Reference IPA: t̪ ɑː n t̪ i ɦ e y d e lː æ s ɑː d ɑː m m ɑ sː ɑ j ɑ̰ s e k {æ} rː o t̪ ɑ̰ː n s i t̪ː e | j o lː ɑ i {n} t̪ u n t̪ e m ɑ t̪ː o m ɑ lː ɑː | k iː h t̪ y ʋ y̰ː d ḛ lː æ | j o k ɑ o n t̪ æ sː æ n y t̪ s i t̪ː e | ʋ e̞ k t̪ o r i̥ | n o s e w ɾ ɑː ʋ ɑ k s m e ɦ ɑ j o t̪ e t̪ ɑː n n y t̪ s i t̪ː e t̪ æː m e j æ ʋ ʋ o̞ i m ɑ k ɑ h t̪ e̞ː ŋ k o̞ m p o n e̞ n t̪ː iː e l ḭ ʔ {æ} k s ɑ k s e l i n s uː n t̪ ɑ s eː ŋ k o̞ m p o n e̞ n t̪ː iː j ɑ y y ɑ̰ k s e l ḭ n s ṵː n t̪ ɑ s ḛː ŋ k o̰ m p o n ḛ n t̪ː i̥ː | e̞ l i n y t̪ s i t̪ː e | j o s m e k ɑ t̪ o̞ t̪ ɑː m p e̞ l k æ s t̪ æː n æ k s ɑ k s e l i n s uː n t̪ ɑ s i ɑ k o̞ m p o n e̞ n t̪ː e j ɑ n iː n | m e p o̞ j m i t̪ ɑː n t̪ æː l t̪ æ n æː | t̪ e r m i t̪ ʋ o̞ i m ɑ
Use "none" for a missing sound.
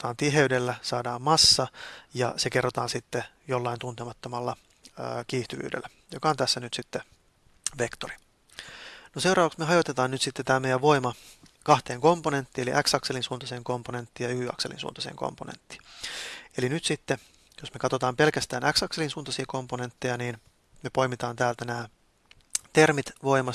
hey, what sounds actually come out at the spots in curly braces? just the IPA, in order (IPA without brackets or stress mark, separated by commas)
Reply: e, n, æ